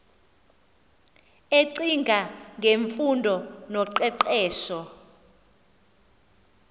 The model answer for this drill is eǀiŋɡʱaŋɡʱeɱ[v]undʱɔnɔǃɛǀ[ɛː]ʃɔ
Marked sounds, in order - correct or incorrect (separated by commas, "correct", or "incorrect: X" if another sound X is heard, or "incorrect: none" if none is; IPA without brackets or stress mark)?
incorrect: f, correct